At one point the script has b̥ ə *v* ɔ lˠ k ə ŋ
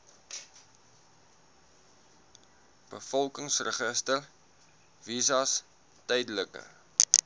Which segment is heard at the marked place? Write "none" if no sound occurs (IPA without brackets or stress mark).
f